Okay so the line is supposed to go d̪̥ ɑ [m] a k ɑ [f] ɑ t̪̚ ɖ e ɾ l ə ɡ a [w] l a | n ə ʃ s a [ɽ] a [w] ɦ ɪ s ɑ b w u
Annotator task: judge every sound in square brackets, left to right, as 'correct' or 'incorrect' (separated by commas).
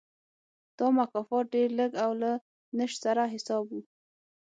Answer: correct, correct, correct, incorrect, incorrect